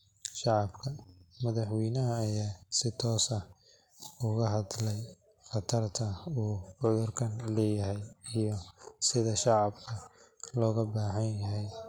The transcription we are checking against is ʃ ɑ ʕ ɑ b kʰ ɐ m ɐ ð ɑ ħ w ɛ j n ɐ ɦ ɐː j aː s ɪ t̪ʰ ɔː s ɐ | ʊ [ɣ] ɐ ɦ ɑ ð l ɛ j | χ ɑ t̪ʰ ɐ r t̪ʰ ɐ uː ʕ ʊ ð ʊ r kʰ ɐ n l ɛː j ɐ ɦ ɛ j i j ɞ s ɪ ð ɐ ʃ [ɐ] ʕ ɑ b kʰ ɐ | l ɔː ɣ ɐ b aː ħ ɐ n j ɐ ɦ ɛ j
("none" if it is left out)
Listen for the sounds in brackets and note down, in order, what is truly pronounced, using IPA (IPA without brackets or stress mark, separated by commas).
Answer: ɣ, ɑ